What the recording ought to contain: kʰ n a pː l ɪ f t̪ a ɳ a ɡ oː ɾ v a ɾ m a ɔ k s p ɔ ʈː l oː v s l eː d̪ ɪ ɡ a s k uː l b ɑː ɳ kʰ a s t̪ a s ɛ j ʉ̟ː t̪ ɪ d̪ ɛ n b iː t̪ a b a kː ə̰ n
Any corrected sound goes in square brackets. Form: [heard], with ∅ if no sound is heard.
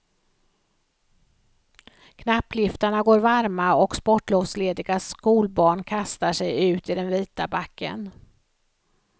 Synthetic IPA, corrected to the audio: kʰ n a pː l ɪ f t̪ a ɳ a ɡ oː ɾ v a ɾ m a ɔ k s p ɔ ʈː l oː v s l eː d̪ ɪ ɡ a s k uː l b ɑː ɳ kʰ a s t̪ a [ʂ] ɛ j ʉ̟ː t̪ ɪ d̪ ɛ n [v] iː t̪ a b a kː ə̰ n